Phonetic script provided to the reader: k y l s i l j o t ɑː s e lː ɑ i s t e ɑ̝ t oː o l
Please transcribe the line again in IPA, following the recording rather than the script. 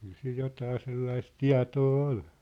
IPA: k y l s i l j o t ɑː s e lː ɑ i s t i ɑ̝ t oː o l